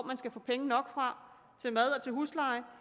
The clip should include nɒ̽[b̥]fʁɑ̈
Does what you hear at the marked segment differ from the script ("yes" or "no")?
yes